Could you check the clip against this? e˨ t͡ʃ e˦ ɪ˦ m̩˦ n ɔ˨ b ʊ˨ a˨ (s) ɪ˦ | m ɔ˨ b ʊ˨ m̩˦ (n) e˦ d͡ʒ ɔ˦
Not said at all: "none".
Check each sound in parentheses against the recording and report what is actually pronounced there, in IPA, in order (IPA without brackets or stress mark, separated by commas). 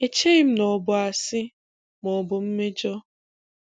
s, m